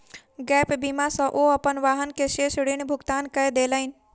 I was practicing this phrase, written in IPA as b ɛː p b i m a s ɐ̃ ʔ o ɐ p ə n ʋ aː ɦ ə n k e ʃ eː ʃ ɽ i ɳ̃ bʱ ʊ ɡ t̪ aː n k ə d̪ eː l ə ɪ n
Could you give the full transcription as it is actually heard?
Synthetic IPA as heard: ɡ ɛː p b i m a s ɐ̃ ʔ o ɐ p ə n ʋ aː ɦ ə n k e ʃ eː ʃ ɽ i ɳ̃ bʱ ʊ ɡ t̪ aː n k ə d̪ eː l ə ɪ n

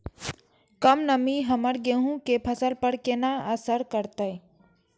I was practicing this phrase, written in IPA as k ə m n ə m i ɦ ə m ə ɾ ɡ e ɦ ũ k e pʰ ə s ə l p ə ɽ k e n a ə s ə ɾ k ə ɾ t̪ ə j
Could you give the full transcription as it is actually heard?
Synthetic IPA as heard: k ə m n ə m i ɦ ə m ə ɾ ɡ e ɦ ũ k e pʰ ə s ə l p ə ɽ k e n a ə s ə ɾ k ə ɾ t̪ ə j

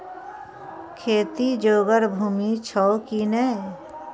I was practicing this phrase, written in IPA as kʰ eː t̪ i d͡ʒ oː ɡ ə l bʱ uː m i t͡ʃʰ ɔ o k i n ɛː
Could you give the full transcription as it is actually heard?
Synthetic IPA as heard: kʰ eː t̪ i d͡ʒ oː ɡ ə ɾ bʱ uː m i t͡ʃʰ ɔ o k i n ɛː

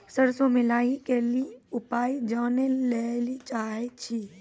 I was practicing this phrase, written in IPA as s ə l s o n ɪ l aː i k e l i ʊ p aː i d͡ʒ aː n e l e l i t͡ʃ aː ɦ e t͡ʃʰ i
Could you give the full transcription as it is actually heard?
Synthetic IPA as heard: s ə ɾ s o m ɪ l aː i k e l i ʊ p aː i d͡ʒ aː n e l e l i t͡ʃ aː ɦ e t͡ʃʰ i

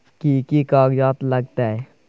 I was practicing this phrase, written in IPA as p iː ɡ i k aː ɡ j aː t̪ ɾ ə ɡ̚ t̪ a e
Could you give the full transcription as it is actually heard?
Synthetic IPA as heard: k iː k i k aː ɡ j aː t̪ l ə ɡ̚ t̪ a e

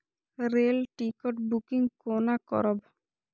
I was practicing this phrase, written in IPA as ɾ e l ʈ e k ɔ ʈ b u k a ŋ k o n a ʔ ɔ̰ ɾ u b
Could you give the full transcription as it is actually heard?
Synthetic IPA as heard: ɾ e l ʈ i k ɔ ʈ b u k i ŋ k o n a k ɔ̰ ɾ ɔ b

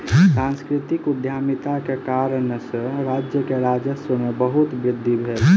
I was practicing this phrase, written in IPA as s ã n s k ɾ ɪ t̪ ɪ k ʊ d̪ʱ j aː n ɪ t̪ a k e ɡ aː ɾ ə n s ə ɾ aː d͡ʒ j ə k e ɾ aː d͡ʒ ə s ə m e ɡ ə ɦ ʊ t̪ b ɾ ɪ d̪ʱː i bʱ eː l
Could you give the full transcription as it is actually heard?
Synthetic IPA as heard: s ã n s k ɾ ɪ t̪ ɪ k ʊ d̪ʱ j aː m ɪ t̪ a k e k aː ɾ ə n s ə ɾ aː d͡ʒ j ə k e ɾ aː d͡ʒ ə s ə m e b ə ɦ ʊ t̪ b ɾ ɪ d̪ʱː i bʱ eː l

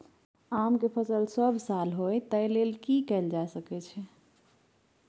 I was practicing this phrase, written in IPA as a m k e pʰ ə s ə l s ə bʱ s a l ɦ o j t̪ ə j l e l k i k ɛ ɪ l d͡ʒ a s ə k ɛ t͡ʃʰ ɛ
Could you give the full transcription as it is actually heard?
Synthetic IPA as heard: a m k e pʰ ə s ə l s ə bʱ s a l ɦ o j t̪ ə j l e l k i k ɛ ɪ l d͡ʒ a s ə k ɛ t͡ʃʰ ɛ

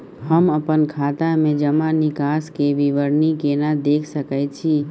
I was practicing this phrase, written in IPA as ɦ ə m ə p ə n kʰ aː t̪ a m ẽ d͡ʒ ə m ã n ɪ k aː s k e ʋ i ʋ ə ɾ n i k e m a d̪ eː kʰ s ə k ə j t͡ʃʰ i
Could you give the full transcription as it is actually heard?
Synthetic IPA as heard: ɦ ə m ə p ə n kʰ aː t̪ a m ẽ d͡ʒ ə m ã n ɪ k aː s k e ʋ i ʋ ə ɾ n i k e n a d̪ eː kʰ s ə k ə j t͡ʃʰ i

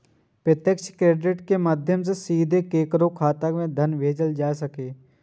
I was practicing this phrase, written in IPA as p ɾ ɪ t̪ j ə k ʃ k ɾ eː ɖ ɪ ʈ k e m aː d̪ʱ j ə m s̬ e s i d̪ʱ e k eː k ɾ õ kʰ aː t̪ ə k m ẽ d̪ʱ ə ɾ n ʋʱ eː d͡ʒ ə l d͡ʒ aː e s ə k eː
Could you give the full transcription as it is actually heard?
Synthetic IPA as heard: p ɾ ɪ t̪ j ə k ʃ k ɾ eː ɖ ɪ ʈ k e m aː d̪ʱ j ə m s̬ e s iː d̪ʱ e k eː k ɾ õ kʰ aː t̪ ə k m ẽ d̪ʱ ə n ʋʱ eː d͡ʒ ə l d͡ʒ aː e s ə k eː

